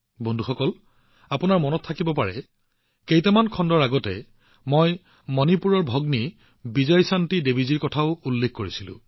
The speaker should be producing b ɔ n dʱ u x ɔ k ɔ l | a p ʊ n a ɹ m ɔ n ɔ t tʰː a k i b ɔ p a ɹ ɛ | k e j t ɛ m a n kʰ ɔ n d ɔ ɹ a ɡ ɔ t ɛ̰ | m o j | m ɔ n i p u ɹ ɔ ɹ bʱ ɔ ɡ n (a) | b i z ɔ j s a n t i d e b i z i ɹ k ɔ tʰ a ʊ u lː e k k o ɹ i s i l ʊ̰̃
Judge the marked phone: incorrect: i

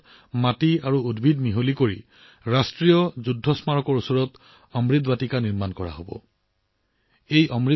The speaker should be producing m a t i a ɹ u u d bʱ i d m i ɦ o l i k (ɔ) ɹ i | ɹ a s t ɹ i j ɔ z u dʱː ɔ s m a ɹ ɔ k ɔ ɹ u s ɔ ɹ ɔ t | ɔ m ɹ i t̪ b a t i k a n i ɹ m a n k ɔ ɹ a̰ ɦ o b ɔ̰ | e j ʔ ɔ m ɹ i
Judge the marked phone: incorrect: o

